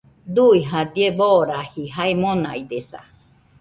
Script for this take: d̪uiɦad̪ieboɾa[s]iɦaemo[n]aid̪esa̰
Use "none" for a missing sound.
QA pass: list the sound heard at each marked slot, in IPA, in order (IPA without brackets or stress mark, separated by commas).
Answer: h, n